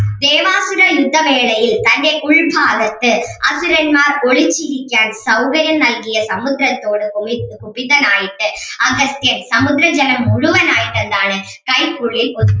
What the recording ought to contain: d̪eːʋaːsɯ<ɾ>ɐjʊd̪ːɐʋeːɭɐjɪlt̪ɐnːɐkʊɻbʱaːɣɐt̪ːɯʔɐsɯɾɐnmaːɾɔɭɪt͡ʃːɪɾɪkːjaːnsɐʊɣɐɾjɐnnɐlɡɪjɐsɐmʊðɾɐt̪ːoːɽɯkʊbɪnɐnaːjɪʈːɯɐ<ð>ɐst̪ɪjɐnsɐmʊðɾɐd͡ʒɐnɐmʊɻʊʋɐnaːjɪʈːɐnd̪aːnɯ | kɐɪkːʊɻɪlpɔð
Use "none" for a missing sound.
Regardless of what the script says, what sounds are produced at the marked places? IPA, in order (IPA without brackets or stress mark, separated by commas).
ɾ, ɣ